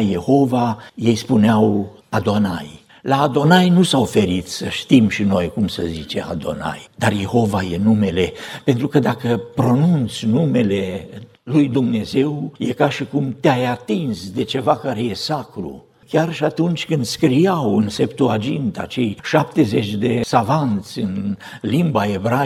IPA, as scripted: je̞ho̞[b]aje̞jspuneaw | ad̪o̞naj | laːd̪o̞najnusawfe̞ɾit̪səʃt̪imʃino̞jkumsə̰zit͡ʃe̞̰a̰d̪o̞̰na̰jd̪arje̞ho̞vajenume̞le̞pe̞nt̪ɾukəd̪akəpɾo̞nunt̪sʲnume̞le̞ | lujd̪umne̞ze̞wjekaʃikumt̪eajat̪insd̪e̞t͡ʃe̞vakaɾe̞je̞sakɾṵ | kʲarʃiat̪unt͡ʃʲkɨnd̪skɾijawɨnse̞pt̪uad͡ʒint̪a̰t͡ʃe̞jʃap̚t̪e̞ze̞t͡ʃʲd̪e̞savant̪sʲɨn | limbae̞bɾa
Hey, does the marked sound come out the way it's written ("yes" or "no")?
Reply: no